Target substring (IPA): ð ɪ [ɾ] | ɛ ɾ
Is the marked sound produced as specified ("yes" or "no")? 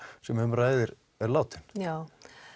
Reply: yes